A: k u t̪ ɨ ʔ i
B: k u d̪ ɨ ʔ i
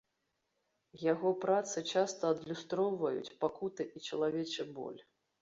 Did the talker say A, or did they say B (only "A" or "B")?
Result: A